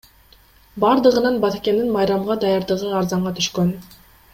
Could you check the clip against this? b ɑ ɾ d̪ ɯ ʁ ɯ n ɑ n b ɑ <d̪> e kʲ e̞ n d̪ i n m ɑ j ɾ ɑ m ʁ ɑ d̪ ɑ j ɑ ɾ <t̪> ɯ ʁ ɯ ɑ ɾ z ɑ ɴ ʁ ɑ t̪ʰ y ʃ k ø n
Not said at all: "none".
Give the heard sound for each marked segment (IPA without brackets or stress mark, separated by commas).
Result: t̪, d̪